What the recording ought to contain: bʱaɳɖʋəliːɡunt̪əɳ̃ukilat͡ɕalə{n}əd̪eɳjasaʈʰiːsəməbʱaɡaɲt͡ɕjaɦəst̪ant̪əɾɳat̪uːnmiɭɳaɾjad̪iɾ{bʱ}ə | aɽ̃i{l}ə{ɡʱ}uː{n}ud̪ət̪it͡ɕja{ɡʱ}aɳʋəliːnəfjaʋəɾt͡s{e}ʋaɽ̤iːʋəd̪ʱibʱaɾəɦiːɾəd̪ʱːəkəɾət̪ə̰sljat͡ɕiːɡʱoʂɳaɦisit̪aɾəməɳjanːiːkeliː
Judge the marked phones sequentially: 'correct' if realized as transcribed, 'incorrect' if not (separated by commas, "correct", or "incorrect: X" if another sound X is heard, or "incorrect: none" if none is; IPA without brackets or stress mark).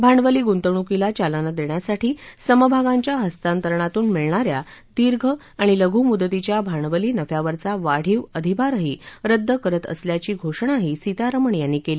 correct, incorrect: ɡʱ, correct, correct, incorrect: m, incorrect: bʱ, incorrect: a